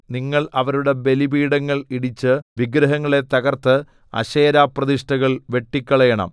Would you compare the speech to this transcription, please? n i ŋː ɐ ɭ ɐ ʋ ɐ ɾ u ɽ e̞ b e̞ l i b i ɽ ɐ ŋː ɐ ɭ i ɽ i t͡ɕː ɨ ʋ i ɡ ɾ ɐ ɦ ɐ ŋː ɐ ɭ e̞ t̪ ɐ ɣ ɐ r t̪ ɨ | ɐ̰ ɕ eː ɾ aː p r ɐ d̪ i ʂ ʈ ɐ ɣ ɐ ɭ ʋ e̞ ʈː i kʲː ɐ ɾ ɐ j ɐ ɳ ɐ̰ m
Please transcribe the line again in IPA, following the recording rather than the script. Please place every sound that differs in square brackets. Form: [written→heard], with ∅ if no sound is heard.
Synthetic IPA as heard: n i ŋː ɐ ɭ ɐ ʋ ɐ ɾ u ɽ e̞ b e̞ l i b [i→iː] ɽ ɐ ŋː ɐ ɭ i ɽ i t͡ɕː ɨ ʋ i ɡ ɾ ɐ ɦ ɐ ŋː ɐ ɭ e̞ t̪ ɐ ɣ ɐ r t̪ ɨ | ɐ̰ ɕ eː ɾ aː p r ɐ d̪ i ʂ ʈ ɐ ɣ ɐ ɭ ʋ e̞ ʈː i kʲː ɐ [ɾ→ɭ] ɐ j ɐ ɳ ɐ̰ m